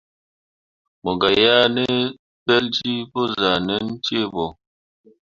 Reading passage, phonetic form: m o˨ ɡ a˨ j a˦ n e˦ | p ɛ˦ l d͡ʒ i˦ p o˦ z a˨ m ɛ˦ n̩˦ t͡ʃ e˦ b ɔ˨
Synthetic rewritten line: m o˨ ɡ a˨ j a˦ n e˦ | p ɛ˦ l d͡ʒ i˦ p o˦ z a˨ n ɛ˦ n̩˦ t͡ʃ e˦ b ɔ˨